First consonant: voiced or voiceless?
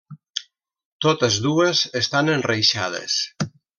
voiceless